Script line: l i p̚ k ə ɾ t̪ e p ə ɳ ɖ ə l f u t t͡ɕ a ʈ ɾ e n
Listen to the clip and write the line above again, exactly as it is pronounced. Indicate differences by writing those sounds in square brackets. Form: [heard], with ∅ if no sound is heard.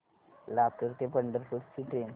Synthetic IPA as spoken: l [a] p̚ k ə ɾ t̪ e p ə ɳ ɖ ə [ɾ] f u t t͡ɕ [i] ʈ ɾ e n